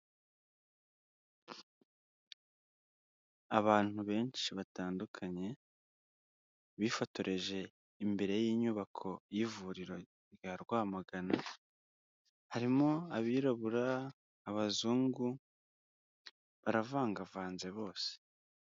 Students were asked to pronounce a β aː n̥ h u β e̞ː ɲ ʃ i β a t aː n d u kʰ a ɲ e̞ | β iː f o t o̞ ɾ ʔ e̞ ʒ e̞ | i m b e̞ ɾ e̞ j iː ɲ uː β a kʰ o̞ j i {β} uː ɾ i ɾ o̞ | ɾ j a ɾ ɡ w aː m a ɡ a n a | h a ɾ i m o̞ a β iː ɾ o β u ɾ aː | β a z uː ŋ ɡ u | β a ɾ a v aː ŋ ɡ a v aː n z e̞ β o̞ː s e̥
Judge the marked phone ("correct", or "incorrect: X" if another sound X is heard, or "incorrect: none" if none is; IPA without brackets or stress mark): incorrect: v